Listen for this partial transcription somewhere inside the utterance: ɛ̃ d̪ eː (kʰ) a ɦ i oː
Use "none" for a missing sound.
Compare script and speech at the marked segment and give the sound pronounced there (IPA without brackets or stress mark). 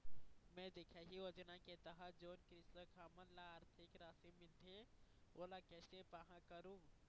kʰ